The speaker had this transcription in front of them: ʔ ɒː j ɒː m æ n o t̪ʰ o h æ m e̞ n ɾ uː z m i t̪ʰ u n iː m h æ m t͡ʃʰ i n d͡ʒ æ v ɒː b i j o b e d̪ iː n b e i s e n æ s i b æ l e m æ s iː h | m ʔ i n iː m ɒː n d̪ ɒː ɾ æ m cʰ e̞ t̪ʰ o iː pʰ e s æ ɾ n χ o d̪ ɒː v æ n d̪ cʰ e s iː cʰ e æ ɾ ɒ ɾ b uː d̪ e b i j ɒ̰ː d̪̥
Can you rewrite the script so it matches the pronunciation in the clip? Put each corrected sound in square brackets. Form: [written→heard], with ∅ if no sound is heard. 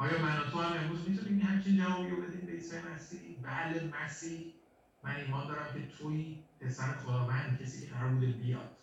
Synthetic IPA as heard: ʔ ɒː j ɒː m æ n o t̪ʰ o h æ m e̞ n ɾ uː z m i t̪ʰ u n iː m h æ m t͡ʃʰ i n d͡ʒ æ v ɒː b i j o b e d̪ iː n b e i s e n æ s i b æ l e m æ s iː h | m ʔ [i→æ] n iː m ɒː n d̪ ɒː ɾ æ m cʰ e̞ t̪ʰ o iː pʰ e s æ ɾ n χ o d̪ ɒː v æ n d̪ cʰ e s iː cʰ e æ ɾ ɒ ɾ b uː d̪ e b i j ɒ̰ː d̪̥